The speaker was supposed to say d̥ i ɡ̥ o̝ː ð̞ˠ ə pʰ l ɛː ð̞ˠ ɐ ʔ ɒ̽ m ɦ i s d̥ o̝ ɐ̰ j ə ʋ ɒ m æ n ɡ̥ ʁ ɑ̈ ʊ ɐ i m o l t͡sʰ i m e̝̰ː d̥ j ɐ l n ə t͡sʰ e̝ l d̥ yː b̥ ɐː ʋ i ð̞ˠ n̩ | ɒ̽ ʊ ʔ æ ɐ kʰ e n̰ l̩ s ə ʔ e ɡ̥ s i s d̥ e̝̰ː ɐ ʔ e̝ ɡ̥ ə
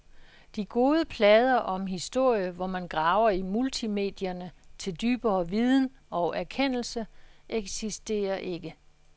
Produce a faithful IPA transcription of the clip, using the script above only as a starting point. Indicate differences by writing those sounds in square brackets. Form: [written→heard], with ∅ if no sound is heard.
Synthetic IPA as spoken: d̥ i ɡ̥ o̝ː ð̞ˠ ə pʰ l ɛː ð̞ˠ ɐ ʔ ɒ̽ m ɦ i s d̥ o̝ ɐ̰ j ə ʋ ɒ m æ n ɡ̥ ʁ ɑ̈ ʊ ɐ i m [o→u] l t͡sʰ i m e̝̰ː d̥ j ɐ [l→∅] n ə t͡sʰ e̝ l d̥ yː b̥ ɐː ʋ i ð̞ˠ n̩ | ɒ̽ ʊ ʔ æ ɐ kʰ e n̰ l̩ s ə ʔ e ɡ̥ s i s d̥ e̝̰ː ɐ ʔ e̝ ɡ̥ ə